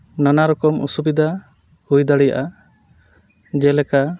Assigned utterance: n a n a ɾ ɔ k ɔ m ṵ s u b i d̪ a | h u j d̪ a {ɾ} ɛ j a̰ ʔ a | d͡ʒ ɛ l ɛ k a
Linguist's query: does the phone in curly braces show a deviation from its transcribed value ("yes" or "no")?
yes